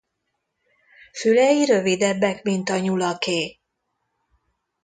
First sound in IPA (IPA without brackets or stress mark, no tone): f